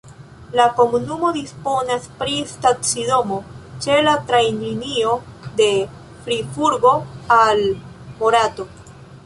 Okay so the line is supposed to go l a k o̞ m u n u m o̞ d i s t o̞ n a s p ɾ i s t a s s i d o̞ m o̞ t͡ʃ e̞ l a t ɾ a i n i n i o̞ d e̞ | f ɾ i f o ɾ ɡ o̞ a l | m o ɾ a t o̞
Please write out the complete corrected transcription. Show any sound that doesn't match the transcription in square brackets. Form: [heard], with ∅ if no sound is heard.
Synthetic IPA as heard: l a k o̞ m u n u m o̞ d i s [p] o̞ n a s p ɾ i s t a [t] s i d o̞ m o̞ t͡ʃ e̞ l a t ɾ a [j] n i n i o̞ d e̞ | f ɾ i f [u] ɾ ɡ o̞ a l | m o ɾ a t o̞